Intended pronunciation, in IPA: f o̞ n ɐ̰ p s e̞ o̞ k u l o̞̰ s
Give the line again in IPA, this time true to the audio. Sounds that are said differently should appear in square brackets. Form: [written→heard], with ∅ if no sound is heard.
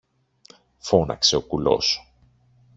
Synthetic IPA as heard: f o̞ n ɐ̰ [p→k] s e̞ o̞ k u l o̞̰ s

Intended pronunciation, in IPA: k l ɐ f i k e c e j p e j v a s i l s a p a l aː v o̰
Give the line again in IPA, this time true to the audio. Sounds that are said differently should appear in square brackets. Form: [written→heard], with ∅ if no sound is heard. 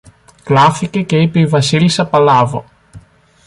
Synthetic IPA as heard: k l [ɐ→a] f i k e [c→k] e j p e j v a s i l s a p a l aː v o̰

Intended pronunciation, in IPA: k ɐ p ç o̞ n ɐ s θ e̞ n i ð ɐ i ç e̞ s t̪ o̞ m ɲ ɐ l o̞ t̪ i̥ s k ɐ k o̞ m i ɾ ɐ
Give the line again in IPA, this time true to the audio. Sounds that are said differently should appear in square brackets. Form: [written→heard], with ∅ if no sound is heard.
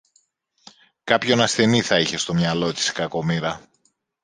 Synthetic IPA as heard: k ɐ p ç o̞ n ɐ s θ e̞ n i [ð→θ] ɐ i ç e̞ s t̪ o̞ m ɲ ɐ l o̞ t̪ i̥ s k ɐ k o̞ m i ɾ ɐ

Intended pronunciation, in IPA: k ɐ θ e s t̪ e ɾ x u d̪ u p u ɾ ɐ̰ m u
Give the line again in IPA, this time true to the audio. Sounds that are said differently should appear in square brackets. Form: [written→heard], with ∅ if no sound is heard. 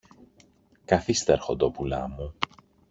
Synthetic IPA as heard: k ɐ θ [e→i] s t̪ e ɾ x [u→o] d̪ [u→o] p u [ɾ→l] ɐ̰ m u

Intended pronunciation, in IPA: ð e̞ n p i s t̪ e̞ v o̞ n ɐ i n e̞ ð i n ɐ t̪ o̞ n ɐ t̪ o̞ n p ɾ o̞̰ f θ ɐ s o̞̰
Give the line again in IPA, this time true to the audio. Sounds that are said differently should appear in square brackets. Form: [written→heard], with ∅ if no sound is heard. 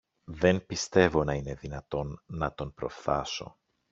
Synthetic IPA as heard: ð e̞ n p i s t̪ e̞ v o̞ n ɐ i n e̞ ð i n ɐ t̪ o̞ [n→nː] ɐ t̪ o̞ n p ɾ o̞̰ f θ ɐ s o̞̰

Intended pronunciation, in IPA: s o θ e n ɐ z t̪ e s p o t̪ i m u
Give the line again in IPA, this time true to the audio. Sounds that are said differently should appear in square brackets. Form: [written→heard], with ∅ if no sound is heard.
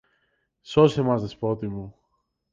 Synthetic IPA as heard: s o [θ→s] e [n→m] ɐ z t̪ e s p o t̪ i m u

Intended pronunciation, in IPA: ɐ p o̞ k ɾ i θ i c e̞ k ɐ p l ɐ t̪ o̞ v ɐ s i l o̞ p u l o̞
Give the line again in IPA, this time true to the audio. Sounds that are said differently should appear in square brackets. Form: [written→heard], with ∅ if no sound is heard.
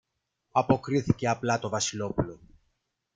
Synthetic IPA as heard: ɐ p o̞ k ɾ i θ i c e̞ [k→∅] ɐ p l ɐ t̪ o̞ v ɐ s i l o̞ p u l o̞

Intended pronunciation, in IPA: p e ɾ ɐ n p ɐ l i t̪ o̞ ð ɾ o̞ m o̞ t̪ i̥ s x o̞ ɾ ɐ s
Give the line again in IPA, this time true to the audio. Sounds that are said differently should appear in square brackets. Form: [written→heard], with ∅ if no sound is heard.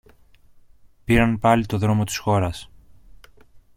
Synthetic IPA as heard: p [e→i] ɾ ɐ n p ɐ l i t̪ o̞ ð ɾ o̞ m o̞ t̪ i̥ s x o̞ ɾ ɐ s

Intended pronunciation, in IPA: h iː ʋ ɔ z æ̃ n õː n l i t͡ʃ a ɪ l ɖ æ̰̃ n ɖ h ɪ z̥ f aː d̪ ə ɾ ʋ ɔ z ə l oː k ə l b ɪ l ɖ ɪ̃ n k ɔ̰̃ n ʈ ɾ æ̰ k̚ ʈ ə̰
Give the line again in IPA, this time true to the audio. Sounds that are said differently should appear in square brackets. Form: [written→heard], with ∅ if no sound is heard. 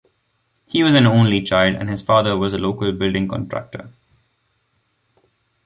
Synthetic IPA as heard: h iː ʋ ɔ z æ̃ n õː n l i t͡ʃ a ɪ l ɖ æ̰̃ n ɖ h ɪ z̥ f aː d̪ ə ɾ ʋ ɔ z ə l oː k ə l b ɪ l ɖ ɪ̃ [n→ŋ] k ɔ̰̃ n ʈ ɾ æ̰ k̚ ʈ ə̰

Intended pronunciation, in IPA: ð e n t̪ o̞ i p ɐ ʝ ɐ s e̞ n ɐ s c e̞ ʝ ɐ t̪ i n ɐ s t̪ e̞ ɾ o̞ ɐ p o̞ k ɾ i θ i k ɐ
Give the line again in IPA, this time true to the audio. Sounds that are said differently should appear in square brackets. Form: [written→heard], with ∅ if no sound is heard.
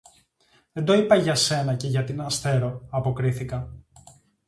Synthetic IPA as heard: ð e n [t̪→d̪] o̞ i p ɐ ʝ ɐ s e̞ n ɐ [s→∅] c e̞ ʝ ɐ t̪ i n ɐ s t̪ e̞ ɾ o̞ ɐ p o̞ k ɾ i θ i k ɐ

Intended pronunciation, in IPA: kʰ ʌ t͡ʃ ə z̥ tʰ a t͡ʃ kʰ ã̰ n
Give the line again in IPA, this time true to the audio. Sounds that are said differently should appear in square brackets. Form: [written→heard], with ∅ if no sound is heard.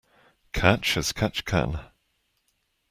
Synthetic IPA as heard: kʰ [ʌ→a] t͡ʃ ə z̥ [tʰ→kʰ] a t͡ʃ kʰ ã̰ n

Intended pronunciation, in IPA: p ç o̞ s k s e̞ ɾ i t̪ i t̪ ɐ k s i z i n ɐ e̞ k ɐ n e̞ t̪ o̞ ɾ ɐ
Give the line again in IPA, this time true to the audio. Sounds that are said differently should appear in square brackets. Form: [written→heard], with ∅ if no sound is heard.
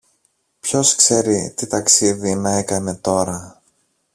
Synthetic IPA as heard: p ç o̞ s k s e̞ ɾ i t̪ i t̪ ɐ k s i [z→ð] i n ɐ e̞ k ɐ n e̞ t̪ o̞ ɾ ɐ

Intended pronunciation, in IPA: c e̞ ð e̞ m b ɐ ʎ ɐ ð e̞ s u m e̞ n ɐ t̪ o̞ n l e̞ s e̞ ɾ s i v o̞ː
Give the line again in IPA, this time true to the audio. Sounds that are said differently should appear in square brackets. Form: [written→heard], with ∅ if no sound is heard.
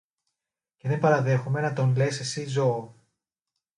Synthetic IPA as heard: c e̞ ð e̞ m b ɐ [ʎ→ɾ] ɐ ð e̞ [s→x] u m e̞ n ɐ t̪ o̞ n l e̞ s e̞ [ɾ→∅] s i [v→z] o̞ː

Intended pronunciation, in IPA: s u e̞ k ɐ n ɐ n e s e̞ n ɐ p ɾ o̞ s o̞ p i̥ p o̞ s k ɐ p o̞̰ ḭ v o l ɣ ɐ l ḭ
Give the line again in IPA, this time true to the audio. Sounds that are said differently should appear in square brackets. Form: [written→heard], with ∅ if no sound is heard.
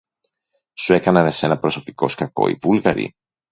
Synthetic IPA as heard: s u e̞ k ɐ n ɐ n e s e̞ n ɐ p ɾ o̞ s o̞ p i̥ [p→k] o̞ s k ɐ [p→k] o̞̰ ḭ v [o→u] l ɣ ɐ [l→ɾ] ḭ

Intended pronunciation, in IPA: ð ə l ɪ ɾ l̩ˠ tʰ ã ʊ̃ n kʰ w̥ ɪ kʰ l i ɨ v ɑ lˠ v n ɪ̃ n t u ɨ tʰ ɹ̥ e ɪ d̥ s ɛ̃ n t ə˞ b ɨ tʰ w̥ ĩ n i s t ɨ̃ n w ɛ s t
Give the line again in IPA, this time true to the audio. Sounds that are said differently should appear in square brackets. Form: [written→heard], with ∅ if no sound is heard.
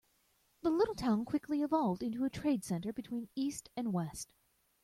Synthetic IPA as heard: ð ə l ɪ ɾ l̩ˠ tʰ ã ʊ̃ n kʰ w̥ ɪ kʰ l i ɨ v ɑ lˠ v [n→d] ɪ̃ n t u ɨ tʰ ɹ̥ e ɪ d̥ s ɛ̃ n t ə˞ b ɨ tʰ w̥ ĩ n i s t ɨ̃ n w ɛ s t

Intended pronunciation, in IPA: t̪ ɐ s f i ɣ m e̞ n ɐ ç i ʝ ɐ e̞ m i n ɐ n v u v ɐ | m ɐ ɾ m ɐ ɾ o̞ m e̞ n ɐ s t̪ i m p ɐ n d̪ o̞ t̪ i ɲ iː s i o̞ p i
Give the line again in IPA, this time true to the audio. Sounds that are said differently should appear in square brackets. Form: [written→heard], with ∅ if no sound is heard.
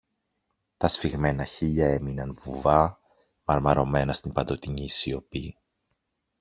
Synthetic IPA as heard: t̪ ɐ s f i ɣ m e̞ n ɐ ç i [ʝ→ʎ] ɐ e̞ m i n ɐ n v u v ɐ | m ɐ ɾ m ɐ ɾ o̞ m e̞ n ɐ s t̪ i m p ɐ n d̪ o̞ t̪ i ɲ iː s i o̞ p i

